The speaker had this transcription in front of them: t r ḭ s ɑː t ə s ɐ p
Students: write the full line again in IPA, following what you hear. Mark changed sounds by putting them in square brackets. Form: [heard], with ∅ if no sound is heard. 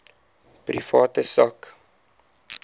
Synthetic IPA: [p] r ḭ [f] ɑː t ə s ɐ [k]